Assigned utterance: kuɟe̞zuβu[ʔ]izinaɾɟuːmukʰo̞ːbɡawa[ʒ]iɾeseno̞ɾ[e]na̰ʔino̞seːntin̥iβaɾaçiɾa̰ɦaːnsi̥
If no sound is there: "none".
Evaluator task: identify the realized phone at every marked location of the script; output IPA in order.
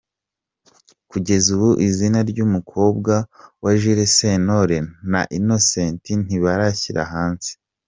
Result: ʔ, ʒ, e

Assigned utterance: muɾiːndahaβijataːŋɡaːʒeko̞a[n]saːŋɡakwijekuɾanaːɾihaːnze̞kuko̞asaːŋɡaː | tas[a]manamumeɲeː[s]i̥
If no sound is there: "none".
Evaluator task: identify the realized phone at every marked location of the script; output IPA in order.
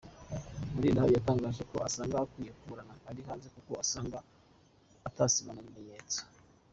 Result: none, i, t͡s

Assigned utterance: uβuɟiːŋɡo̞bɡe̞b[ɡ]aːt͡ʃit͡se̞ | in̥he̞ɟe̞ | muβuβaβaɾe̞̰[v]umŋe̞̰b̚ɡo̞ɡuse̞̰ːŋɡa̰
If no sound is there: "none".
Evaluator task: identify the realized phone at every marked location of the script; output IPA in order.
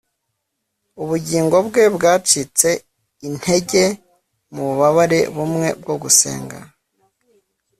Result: ɡ, β

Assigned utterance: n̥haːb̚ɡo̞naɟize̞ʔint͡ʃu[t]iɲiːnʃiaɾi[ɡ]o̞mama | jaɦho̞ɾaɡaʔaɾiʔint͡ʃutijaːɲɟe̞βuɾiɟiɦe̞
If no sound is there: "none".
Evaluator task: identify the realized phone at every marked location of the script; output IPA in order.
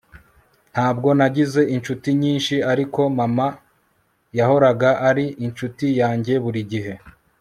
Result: t, k

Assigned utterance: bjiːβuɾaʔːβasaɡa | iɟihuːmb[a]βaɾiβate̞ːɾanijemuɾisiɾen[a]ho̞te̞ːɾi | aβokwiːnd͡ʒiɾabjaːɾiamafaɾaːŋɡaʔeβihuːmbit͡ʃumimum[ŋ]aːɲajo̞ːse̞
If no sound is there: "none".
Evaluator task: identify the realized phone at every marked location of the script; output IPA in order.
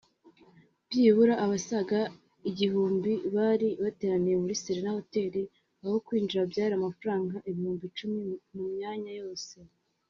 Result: i, a, ɲ

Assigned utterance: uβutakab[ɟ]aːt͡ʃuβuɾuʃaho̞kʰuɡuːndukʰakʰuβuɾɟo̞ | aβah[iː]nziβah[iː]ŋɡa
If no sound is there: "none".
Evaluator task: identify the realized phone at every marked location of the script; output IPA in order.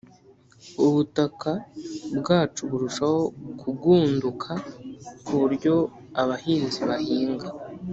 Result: ɡ, iː, iː

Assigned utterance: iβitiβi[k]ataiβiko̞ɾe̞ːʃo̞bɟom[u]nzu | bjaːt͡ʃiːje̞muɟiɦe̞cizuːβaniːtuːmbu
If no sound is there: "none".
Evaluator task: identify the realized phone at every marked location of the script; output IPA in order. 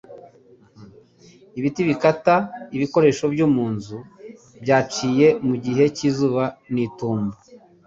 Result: k, uː

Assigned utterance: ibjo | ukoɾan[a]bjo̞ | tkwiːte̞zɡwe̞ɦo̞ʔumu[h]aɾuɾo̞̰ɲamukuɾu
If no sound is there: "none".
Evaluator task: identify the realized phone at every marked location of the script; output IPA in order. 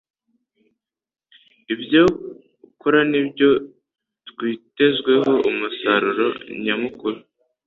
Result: i, s

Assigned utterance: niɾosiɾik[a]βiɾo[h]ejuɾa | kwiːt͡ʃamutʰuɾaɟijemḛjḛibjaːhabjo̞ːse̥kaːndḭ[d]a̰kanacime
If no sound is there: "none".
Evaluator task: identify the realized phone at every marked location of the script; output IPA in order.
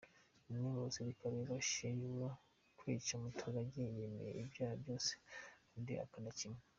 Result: a, ʃ, none

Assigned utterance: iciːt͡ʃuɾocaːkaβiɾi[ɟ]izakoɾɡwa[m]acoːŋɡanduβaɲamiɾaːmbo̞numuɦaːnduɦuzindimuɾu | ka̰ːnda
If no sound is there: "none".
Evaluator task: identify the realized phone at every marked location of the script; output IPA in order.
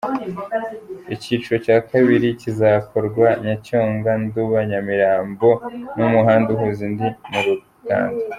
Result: c, ɲ

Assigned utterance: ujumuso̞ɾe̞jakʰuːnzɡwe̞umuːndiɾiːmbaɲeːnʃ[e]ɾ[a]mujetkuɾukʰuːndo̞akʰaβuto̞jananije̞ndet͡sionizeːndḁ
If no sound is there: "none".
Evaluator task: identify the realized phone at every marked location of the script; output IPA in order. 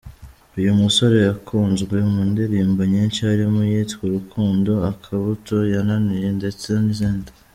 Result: a, i

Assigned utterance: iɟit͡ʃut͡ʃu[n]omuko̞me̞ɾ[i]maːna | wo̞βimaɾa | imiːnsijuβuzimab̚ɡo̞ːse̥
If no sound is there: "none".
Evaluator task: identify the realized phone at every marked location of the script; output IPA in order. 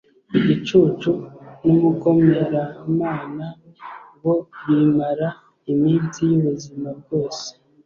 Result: n, a

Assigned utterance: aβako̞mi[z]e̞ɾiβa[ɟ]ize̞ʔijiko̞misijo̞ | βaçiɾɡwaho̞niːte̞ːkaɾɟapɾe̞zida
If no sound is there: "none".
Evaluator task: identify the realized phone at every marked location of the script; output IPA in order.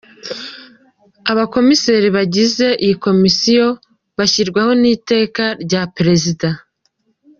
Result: s, ɟ

